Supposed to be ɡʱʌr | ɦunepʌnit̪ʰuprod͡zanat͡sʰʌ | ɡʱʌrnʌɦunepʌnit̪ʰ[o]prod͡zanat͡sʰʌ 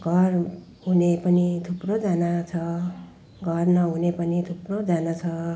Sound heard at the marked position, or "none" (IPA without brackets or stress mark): u